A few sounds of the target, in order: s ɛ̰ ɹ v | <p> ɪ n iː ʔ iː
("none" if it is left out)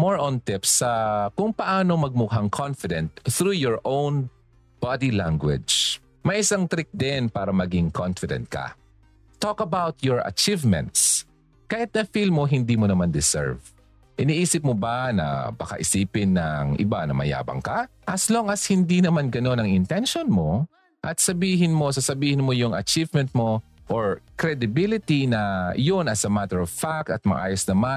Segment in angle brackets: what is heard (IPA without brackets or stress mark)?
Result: ʔ